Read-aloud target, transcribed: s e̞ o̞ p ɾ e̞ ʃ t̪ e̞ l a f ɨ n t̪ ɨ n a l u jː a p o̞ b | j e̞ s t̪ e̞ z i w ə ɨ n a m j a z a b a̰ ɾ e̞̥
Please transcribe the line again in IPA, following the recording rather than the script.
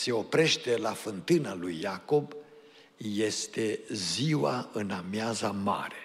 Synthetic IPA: s e̞ o̞ p ɾ e̞ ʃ t̪ e̞ l a f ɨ n t̪ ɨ n a l u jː a k o̞ b | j e̞ s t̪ e̞ z i w a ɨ n a m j a z a m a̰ ɾ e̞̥